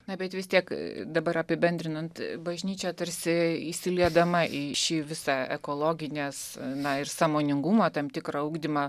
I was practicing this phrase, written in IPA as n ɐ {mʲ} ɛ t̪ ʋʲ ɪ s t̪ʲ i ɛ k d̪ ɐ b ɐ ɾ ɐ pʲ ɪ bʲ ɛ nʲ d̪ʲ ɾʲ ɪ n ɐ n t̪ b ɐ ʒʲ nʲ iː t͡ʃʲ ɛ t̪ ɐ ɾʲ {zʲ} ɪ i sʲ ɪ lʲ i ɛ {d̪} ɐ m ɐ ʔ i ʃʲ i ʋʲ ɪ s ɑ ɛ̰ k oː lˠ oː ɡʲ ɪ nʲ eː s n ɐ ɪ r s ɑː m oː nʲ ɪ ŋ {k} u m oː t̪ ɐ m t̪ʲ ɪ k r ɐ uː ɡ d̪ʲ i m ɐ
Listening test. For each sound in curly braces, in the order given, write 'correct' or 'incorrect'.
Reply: incorrect: bʲ, incorrect: sʲ, correct, incorrect: ɡ

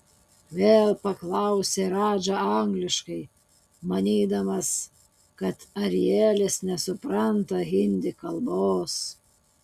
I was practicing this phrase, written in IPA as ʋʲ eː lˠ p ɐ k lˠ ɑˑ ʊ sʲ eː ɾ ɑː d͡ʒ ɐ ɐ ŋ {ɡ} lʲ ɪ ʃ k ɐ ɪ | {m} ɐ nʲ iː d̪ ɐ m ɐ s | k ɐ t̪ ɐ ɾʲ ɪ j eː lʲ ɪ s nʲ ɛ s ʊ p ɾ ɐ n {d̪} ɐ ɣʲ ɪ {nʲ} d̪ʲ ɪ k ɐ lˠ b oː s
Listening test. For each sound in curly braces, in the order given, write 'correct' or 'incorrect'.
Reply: correct, correct, incorrect: t̪, correct

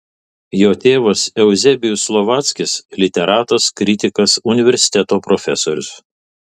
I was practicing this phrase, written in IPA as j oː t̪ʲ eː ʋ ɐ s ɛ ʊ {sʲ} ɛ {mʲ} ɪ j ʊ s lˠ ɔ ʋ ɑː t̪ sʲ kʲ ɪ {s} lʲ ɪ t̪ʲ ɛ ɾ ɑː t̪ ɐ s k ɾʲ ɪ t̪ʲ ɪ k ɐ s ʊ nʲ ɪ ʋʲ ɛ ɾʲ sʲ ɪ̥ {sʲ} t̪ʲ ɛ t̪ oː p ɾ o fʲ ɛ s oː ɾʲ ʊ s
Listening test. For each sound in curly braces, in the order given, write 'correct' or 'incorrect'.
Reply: incorrect: zʲ, incorrect: bʲ, correct, incorrect: none

